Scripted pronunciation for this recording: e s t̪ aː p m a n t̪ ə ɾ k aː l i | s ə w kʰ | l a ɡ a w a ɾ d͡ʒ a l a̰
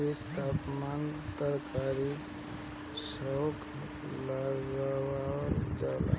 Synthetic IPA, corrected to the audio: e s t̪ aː p m a n t̪ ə ɾ k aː ɾ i | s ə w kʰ | l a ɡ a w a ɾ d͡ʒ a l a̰